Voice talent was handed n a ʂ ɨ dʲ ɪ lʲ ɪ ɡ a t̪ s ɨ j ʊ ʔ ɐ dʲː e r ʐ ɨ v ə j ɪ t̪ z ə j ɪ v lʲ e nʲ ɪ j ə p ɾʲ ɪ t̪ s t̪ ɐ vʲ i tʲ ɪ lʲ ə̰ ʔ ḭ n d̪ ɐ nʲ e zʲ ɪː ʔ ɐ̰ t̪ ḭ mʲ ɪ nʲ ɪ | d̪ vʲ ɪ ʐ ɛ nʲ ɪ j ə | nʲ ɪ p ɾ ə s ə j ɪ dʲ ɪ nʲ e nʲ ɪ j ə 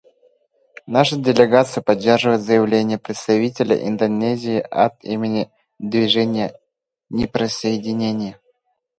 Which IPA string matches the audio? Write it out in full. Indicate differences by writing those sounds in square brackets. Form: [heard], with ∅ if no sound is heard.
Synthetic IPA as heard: n a ʂ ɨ dʲ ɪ lʲ ɪ ɡ a t̪ s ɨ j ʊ [p] ɐ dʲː e r ʐ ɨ v ə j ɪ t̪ z ə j ɪ v lʲ e nʲ ɪ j ə p ɾʲ ɪ t̪ s t̪ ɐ vʲ i tʲ ɪ lʲ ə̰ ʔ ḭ n d̪ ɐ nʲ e zʲ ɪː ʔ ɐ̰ t̪ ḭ mʲ ɪ nʲ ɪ | d̪ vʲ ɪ ʐ ɛ nʲ ɪ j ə | nʲ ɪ p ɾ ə s ə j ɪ dʲ ɪ nʲ e nʲ ɪ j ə